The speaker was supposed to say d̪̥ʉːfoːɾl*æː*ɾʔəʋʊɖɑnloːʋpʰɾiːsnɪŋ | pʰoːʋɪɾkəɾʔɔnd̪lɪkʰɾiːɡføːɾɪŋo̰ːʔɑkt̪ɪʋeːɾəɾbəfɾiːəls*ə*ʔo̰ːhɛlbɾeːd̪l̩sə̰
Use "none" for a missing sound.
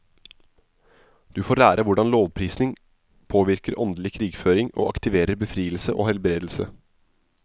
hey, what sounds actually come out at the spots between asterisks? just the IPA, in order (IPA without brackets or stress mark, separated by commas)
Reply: æː, ə